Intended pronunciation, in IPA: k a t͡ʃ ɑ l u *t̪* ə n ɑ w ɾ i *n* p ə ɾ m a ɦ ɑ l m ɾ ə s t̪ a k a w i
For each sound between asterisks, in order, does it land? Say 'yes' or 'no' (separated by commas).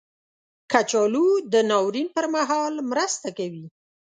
no, yes